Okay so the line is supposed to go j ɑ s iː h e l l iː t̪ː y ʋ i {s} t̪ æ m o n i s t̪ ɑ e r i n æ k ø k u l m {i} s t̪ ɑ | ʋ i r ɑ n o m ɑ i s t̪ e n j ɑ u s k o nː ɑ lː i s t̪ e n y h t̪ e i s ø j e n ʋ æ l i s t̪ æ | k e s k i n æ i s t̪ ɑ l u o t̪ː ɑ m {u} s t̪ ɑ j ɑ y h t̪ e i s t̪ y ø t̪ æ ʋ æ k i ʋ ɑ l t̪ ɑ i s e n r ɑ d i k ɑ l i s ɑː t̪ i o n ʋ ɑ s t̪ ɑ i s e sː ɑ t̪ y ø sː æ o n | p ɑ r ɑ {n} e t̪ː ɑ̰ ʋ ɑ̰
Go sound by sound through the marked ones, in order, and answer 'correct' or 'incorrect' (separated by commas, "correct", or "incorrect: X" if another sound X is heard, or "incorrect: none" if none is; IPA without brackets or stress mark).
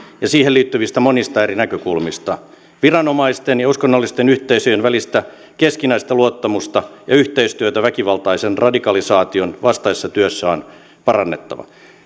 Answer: correct, correct, correct, incorrect: nː